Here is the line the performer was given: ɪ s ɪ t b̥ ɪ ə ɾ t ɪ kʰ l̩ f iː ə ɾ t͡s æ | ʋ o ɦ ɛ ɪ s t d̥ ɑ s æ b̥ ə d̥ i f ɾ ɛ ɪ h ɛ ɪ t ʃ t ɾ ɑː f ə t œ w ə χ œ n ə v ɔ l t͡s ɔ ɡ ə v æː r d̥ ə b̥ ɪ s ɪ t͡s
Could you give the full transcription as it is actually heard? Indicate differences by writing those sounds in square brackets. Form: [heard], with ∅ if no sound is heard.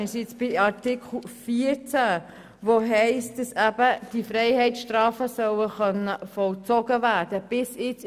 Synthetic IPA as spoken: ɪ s ɪ [t͡s] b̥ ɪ [ɑ] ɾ t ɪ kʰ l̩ f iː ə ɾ t͡s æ | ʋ o ɦ ɛ ɪ s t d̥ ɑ s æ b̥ ə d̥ i f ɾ ɛ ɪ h ɛ ɪ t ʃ t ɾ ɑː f ə [s] œ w ə χ œ n ə [f] ɔ l t͡s ɔ ɡ ə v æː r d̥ ə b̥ ɪ s ɪ t͡s